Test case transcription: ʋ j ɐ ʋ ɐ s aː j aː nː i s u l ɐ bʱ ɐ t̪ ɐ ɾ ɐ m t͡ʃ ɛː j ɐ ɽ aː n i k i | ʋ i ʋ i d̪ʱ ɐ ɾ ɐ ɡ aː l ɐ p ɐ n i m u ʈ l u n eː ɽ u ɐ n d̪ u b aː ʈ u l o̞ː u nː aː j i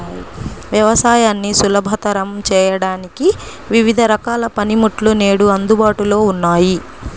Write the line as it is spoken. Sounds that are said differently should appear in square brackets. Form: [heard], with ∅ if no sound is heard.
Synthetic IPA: ʋ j ɐ ʋ ɐ s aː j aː nː i s u l ɐ bʱ ɐ t̪ ɐ ɾ ɐ m t͡ʃ ɛː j ɐ ɽ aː n i k i | ʋ i ʋ i d̪ʱ ɐ ɾ ɐ [k] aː l ɐ p ɐ n i m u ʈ l u n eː ɽ u ɐ n d̪ u b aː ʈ u l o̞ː u nː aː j i